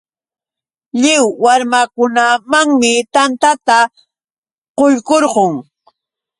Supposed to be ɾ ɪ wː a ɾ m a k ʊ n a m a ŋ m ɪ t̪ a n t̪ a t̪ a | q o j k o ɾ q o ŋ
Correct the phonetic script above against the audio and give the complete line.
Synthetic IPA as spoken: ʎ ɪ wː a ɾ m a k ʊ n a m a ŋ m ɪ t̪ a n t̪ a t̪ a | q o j k o ɾ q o ŋ